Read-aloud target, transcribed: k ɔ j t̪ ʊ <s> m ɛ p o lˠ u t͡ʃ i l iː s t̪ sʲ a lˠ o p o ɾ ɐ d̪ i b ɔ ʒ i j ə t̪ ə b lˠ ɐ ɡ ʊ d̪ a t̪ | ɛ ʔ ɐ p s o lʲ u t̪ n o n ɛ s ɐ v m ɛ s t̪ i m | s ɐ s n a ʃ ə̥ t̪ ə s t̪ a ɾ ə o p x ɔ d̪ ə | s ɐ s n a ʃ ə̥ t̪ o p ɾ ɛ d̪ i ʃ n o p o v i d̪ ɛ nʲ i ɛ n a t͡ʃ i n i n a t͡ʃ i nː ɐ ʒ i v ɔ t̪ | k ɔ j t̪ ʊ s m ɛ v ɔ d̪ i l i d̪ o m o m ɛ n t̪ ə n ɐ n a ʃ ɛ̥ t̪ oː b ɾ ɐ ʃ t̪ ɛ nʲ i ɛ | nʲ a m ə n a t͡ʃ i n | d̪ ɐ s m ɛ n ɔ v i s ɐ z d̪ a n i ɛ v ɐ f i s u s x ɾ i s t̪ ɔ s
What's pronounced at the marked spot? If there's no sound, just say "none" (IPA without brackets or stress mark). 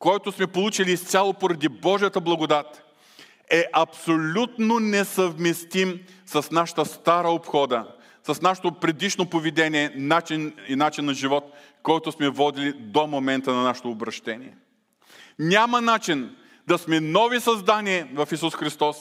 s